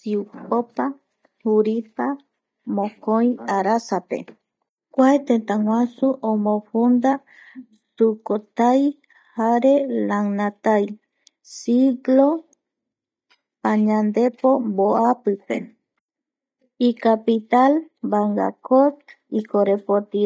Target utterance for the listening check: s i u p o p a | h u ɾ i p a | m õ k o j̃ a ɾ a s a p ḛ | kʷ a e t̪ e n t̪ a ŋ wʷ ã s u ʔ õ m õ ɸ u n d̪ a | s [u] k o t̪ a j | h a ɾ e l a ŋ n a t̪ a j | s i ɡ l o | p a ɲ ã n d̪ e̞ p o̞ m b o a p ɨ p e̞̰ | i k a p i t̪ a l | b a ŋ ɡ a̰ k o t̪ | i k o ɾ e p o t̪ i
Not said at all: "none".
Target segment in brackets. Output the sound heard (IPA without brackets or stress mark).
u